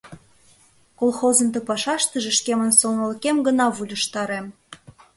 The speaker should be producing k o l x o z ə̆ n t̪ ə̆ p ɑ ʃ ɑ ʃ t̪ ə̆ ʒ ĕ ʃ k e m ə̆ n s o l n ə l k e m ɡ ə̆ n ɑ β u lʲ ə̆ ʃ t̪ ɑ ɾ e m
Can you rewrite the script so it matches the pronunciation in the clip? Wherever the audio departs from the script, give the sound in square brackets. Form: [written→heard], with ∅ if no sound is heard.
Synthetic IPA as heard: k o l x o z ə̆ n t̪ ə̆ p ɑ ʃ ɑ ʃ t̪ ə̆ ʒ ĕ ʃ k e m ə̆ n s o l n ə l k e m ɡ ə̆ n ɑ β u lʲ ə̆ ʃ t̪ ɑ ɾ e m